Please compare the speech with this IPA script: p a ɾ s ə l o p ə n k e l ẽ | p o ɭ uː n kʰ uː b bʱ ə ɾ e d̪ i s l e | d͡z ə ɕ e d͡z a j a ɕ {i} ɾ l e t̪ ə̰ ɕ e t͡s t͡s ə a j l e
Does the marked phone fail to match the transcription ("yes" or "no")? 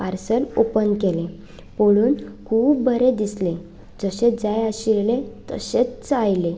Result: no